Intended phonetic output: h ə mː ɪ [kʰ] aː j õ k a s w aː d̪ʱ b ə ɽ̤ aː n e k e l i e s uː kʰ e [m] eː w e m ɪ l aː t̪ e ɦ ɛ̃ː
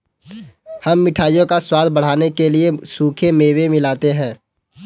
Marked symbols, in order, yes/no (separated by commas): no, yes